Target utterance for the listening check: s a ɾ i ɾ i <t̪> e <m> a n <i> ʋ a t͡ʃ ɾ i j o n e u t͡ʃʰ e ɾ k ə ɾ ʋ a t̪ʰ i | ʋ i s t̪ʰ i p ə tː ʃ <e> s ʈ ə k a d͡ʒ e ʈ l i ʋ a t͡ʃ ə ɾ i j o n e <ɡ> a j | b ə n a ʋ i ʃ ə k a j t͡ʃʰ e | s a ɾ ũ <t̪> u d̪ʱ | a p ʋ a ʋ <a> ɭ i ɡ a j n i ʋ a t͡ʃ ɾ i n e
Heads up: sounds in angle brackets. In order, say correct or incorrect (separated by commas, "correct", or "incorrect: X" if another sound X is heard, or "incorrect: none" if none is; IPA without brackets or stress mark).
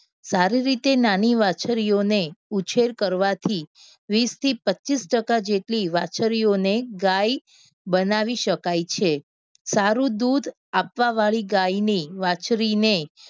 correct, incorrect: n, correct, incorrect: i, correct, incorrect: d̪, correct